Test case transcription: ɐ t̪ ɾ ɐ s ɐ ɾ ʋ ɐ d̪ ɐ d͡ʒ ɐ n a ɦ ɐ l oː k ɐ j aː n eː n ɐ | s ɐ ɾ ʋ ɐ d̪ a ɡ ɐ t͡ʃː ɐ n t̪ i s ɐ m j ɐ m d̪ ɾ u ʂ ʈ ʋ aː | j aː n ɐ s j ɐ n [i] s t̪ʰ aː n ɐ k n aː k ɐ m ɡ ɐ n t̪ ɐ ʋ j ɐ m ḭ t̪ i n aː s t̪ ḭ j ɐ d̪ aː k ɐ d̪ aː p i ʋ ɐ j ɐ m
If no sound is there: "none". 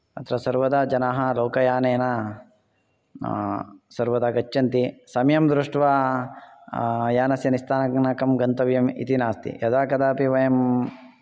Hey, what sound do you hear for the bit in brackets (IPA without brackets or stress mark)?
i